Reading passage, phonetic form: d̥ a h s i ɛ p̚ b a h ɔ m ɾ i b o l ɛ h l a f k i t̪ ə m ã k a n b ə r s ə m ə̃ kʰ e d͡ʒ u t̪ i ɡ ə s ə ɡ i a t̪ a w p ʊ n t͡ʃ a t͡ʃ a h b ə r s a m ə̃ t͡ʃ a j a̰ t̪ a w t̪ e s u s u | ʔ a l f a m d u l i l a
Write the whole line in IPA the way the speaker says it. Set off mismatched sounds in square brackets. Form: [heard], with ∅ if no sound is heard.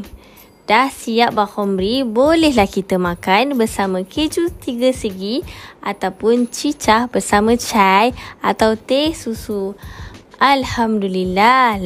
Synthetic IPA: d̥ a h s i [a] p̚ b a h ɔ m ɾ i b o l ɛ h l a [h] k i t̪ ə m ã k a n b ə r s [a] m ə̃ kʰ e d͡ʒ u t̪ i ɡ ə s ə ɡ i a t̪ a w p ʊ n t͡ʃ [i] t͡ʃ a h b ə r s a m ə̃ t͡ʃ a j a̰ t̪ a w t̪ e s u s u | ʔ a l [h] a m d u l i l a